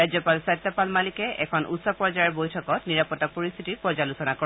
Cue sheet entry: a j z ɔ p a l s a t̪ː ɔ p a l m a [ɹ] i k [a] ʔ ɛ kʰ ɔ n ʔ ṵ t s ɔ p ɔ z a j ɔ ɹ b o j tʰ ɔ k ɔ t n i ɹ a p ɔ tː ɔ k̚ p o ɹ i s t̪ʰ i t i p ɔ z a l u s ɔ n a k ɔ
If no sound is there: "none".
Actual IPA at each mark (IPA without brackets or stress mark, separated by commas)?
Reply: l, ɛ